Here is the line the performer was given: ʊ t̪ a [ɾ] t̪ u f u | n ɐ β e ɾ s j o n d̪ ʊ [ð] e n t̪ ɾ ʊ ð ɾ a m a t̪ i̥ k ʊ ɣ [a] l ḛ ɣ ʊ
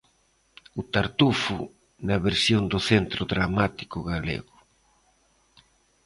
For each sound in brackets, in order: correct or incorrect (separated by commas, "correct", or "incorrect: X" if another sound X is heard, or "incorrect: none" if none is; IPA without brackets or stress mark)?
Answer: correct, incorrect: θ, correct